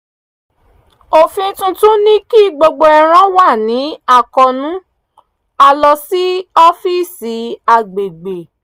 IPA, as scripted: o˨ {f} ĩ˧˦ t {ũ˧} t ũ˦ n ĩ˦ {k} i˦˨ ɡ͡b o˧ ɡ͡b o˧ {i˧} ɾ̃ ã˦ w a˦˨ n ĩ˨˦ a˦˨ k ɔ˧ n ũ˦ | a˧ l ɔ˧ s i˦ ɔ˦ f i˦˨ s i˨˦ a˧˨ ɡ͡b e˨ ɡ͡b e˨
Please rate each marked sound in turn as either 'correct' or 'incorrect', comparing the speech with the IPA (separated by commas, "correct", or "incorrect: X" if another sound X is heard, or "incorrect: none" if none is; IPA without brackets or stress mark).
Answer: correct, correct, correct, incorrect: ɛ˧